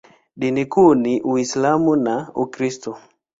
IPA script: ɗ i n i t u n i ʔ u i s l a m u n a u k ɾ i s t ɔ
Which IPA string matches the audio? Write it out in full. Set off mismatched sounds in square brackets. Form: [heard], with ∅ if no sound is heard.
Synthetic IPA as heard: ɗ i n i [k] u n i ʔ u i s l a m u n a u k ɾ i s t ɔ